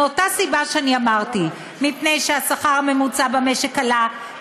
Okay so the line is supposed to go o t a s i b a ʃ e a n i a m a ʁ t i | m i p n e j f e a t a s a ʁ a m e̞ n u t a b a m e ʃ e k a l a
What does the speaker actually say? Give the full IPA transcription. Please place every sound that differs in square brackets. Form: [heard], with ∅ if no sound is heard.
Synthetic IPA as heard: o t a s i b a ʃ e a n i a m a ʁ t i | m i p n e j [ʃ] e a [s] a [χ] a ʁ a m e̞ [m] u [t͡s] a b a m e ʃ e k a l a